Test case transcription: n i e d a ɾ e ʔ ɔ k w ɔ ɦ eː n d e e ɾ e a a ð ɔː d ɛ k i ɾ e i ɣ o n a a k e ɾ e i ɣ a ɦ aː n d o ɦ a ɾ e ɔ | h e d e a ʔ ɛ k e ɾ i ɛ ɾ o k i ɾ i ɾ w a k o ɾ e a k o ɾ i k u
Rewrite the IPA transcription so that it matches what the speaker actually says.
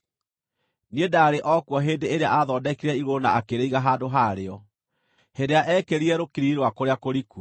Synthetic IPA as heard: n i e d a ɾ e ʔ ɔ k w ɔ ɦ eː n d e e ɾ e a a ð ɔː d ɛ k i ɾ ɛ i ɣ o n a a k e ɾ e i ɣ a ɦ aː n d o ɦ a ɾ e ɔ | h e d e a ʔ ɛ k e ɾ i ɛ ɾ o k i ɾ i ɾ w a k o ɾ e a k o ɾ i k u